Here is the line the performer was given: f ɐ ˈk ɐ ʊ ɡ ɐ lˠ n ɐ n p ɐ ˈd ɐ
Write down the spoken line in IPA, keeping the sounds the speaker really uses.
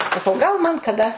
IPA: s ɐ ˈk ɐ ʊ ɡ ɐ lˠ m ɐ n k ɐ ˈd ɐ